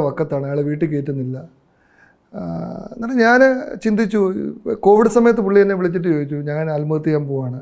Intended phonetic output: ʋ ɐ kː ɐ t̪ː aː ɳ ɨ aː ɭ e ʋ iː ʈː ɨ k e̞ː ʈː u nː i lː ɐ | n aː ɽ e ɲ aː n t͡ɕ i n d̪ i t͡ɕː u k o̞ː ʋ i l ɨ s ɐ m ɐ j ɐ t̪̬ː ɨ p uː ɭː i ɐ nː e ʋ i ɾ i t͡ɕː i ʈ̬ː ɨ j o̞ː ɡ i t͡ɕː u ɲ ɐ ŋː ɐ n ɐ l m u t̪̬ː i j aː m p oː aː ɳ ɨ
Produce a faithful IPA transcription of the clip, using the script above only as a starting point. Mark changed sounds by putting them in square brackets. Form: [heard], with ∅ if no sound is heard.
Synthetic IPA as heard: ʋ ɐ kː ɐ t̪ː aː ɳ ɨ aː ɭ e ʋ iː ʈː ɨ k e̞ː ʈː u nː i lː ɐ | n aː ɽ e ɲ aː n t͡ɕ i n d̪ i t͡ɕː u k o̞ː ʋ i [ɽ] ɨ s ɐ m ɐ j ɐ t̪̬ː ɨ p [u] ɭː i ɐ nː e ʋ i [ɭ] i t͡ɕː i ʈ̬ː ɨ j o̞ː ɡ i t͡ɕː u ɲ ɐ ŋː ɐ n ɐ l m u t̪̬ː i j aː m p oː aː ɳ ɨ